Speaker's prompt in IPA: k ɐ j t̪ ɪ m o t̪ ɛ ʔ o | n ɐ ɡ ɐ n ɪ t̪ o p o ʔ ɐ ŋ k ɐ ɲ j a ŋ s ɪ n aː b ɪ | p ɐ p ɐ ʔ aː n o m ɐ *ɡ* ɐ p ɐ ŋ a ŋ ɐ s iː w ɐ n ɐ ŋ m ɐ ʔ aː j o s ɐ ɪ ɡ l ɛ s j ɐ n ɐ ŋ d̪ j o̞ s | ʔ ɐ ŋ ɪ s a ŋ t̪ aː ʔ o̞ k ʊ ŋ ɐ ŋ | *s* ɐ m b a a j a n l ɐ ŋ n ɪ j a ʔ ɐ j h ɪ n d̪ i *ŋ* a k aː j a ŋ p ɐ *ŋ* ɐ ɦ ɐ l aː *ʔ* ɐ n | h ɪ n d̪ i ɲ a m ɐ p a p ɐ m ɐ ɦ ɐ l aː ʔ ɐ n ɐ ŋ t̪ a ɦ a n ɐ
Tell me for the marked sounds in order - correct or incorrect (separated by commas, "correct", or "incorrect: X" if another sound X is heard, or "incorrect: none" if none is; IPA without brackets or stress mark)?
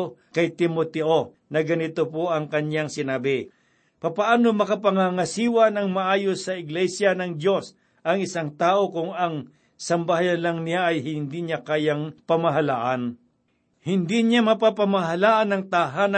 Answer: incorrect: k, correct, incorrect: ɲ, incorrect: m, correct